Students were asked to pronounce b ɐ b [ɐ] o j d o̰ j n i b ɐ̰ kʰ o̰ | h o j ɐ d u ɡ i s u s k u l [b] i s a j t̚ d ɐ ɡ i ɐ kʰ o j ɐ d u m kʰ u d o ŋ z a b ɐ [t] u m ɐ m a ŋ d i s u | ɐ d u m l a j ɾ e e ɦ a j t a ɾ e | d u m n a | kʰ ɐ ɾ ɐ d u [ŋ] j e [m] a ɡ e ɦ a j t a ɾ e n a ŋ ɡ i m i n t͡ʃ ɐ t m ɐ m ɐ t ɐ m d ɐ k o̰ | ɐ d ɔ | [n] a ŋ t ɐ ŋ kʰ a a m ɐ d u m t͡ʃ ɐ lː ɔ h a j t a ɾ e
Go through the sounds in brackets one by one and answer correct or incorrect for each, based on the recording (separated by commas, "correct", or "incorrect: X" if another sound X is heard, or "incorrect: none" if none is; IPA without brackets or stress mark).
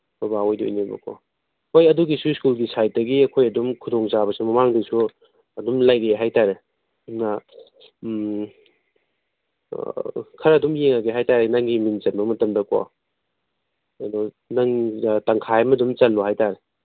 incorrect: a, incorrect: ɡ, incorrect: s, incorrect: m, incorrect: ŋ, correct